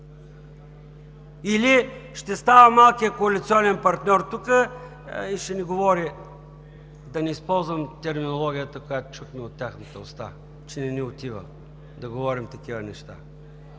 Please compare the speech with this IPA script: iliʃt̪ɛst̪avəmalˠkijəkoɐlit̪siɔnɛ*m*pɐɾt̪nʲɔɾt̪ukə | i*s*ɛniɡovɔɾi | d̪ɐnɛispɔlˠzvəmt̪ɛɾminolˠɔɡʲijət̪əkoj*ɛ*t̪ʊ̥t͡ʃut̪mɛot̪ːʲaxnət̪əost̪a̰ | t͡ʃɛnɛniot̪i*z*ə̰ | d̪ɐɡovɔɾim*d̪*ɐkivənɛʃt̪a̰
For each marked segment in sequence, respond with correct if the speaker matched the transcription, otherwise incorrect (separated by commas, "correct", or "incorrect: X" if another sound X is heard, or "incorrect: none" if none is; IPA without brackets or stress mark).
incorrect: n, incorrect: ʃ, incorrect: a, incorrect: v, incorrect: t̪